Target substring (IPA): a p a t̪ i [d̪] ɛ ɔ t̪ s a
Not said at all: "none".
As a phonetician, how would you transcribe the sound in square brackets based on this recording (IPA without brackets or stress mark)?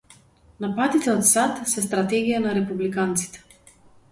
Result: t̪